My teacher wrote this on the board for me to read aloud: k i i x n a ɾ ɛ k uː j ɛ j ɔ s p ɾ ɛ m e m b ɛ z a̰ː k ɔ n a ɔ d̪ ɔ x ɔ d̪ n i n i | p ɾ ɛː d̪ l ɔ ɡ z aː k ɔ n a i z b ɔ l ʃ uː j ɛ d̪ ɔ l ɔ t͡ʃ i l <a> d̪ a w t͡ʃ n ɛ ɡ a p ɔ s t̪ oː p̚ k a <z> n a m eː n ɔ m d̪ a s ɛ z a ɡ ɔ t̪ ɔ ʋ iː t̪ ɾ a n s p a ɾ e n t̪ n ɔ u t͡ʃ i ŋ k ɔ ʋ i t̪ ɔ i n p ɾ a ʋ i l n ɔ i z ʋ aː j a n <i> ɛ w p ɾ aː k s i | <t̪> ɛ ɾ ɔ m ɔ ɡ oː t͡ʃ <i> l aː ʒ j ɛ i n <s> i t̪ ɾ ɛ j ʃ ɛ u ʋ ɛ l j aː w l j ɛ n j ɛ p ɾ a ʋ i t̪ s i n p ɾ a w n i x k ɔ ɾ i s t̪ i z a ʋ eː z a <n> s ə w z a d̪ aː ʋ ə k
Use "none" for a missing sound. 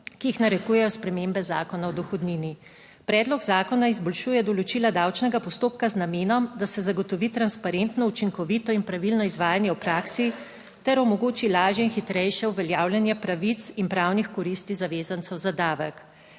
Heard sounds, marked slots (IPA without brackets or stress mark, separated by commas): a, z, j, t̪, i, x, n